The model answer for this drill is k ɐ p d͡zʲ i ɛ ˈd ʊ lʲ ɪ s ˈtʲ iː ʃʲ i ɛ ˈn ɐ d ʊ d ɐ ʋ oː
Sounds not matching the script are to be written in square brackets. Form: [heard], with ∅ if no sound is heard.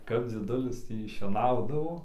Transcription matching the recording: k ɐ p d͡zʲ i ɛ ˈd ʊ lʲ ɪ s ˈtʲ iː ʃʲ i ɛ ˈn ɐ [∅] ʊ d ɐ ʋ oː